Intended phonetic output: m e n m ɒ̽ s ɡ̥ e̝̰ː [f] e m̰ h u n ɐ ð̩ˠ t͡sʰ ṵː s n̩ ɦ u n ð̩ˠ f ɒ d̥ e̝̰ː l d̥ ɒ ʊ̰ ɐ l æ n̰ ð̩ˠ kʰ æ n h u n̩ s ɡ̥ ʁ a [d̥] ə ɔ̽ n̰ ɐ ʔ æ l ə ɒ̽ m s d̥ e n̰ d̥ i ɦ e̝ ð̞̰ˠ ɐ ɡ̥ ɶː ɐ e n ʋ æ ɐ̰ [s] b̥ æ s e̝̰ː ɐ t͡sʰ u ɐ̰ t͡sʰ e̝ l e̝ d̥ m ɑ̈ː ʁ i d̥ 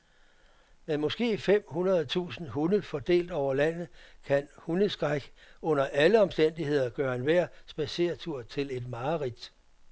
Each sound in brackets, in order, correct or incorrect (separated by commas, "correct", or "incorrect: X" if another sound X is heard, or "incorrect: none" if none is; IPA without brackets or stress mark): correct, incorrect: ɡ̥, correct